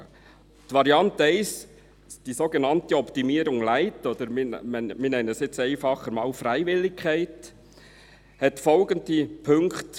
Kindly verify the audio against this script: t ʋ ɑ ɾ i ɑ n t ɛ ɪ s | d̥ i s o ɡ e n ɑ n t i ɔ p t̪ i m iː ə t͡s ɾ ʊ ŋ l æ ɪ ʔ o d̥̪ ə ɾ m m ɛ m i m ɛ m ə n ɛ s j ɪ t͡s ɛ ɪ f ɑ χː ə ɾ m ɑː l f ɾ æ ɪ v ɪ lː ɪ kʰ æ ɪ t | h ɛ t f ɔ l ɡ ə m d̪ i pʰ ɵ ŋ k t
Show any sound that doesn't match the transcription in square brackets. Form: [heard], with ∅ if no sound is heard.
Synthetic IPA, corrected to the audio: t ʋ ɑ ɾ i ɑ n t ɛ ɪ s | d̥ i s o ɡ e n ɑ n t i ɔ p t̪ i m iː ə [∅] ɾ ʊ ŋ l æ ɪ [t] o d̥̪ ə ɾ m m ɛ m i [n] ɛ [n] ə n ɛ s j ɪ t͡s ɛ ɪ f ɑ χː ə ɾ m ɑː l f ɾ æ ɪ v ɪ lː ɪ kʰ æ ɪ t | h ɛ t f ɔ l ɡ ə [n] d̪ i pʰ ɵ ŋ k t